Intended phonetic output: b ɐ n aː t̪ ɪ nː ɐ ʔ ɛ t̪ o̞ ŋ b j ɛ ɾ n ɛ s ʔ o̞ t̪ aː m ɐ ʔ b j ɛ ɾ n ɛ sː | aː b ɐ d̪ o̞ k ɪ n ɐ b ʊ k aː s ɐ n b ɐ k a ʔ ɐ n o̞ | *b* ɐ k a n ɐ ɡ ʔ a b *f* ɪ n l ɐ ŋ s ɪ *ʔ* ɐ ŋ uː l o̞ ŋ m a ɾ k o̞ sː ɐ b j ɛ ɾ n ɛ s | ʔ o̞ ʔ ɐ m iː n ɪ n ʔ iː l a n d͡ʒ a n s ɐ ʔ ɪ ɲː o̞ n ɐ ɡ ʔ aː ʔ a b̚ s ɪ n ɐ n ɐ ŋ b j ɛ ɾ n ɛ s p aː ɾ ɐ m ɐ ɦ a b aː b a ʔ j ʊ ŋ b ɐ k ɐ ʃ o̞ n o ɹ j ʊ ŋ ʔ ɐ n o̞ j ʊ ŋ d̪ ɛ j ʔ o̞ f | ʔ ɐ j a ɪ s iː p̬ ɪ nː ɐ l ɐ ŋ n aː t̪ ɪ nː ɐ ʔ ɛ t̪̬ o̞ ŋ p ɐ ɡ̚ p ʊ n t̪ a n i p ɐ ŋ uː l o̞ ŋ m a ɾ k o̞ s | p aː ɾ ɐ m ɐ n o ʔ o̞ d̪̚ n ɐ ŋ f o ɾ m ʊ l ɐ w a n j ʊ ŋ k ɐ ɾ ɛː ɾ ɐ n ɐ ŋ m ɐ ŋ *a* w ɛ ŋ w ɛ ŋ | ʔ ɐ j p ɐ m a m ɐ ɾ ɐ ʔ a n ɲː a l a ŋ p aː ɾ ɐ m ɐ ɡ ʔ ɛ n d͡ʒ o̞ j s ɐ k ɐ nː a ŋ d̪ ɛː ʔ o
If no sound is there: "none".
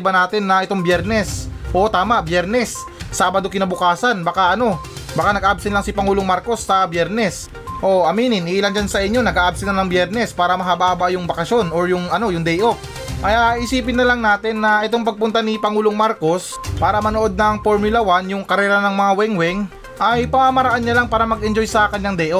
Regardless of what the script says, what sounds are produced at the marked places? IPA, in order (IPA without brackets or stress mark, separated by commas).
b, s, p, a